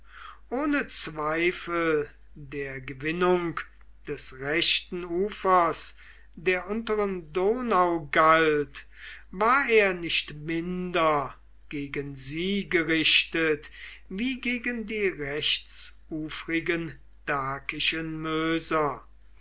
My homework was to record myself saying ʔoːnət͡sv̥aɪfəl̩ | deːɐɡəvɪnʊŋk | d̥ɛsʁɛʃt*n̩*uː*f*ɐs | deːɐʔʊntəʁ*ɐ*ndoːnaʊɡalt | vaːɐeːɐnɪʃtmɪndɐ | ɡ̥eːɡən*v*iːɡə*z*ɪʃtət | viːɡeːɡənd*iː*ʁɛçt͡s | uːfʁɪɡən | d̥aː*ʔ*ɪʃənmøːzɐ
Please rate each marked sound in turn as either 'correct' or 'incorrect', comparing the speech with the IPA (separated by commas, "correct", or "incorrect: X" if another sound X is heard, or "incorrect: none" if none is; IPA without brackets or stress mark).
correct, correct, incorrect: ə, incorrect: z, incorrect: ʁ, correct, incorrect: k